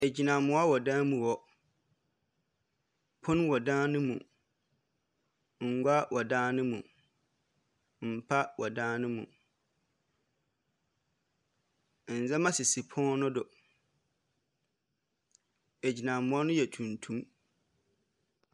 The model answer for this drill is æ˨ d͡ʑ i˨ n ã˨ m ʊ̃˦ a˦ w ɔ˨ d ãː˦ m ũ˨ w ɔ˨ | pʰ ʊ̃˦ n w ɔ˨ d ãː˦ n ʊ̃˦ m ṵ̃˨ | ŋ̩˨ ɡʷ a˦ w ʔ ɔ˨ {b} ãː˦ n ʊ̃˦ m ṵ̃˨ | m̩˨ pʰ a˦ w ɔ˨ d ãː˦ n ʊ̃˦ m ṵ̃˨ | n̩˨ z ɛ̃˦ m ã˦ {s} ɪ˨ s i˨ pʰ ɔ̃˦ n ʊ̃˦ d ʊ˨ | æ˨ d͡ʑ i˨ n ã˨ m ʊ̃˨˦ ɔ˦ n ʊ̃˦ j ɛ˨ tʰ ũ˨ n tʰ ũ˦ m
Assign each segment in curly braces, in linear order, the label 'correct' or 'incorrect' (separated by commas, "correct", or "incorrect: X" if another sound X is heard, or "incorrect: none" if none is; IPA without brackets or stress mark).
incorrect: d, correct